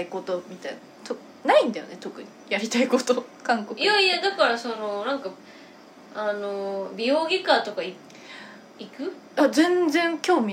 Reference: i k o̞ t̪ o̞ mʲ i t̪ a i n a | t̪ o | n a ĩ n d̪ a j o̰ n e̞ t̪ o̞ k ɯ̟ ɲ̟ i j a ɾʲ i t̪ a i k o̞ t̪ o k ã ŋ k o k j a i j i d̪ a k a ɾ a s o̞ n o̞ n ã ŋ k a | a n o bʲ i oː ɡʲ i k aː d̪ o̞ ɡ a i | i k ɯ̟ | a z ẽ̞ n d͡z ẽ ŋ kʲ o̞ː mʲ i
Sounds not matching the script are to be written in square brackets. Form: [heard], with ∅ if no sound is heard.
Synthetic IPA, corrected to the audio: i k o̞ t̪ o̞ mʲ i t̪ a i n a | t̪ o | n a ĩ n d̪ a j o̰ n e̞ t̪ o̞ k ɯ̟ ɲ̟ i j a ɾʲ i t̪ a i k o̞ t̪ o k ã ŋ k o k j a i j [a] d̪ a k a ɾ a s o̞ n o̞ n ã ŋ k a | a n o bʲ i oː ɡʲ i k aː [t̪] o̞ [k] a i | i k ɯ̟ | a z ẽ̞ n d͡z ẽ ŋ kʲ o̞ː mʲ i